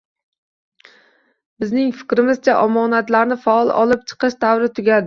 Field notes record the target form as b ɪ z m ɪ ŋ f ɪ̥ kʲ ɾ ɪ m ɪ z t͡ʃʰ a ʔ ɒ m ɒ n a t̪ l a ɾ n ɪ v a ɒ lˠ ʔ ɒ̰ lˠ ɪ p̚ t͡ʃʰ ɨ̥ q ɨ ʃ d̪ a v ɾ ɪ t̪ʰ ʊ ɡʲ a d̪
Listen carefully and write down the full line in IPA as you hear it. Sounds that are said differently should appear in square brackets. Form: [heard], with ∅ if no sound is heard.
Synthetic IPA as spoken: b ɪ z [n] ɪ ŋ f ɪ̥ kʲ ɾ ɪ m ɪ z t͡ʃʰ a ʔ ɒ m ɒ n a t̪ l a ɾ n ɪ [f] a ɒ lˠ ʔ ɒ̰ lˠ ɪ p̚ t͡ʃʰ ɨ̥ q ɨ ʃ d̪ a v ɾ ɪ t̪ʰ ʊ ɡʲ a d̪